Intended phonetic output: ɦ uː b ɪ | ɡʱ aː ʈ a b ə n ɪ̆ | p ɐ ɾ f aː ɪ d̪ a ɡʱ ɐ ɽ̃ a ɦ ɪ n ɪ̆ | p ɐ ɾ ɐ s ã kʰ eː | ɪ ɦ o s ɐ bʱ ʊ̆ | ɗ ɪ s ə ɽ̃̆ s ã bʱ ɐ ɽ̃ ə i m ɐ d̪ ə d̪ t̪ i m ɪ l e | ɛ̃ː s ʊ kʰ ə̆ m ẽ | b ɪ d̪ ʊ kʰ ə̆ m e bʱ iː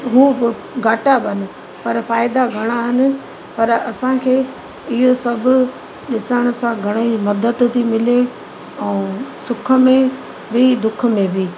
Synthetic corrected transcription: ɦ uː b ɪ | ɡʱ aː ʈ a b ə n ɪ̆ | p ɐ ɾ f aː ɪ d̪ a ɡʱ ɐ ɽ̃ a ɦ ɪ n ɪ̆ | p ɐ ɾ ɐ s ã kʰ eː | ɪ ɦ o s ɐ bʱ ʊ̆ | ɗ ɪ s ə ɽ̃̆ s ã ɡʱ ɐ ɽ̃ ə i m ɐ d̪ ə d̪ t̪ i m ɪ l e | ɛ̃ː s ʊ kʰ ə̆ m ẽ | b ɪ d̪ ʊ kʰ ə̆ m ẽ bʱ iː